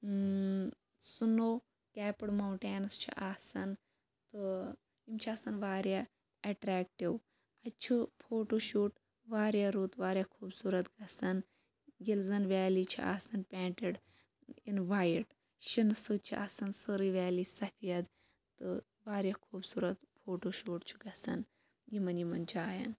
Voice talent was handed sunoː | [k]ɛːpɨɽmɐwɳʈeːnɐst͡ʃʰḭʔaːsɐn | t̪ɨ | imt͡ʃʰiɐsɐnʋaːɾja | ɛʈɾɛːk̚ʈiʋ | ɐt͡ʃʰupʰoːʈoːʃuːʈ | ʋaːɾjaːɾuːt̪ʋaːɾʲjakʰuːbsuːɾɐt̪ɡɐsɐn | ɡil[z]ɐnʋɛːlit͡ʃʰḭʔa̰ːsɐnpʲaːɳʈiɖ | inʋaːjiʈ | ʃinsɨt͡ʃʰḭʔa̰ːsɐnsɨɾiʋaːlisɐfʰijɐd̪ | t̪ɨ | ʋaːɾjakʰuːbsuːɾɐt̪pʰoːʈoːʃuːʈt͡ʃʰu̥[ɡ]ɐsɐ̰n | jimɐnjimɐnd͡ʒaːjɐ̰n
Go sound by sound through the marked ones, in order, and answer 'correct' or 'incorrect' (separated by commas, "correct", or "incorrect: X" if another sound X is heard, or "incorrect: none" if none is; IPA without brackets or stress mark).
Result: correct, correct, correct